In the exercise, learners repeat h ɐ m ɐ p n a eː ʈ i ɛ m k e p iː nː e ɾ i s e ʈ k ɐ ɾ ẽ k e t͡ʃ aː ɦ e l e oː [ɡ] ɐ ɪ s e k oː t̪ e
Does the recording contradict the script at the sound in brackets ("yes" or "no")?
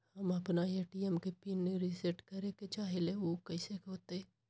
yes